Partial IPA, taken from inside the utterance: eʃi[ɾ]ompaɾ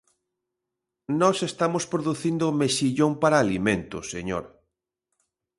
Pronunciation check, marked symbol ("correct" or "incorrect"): incorrect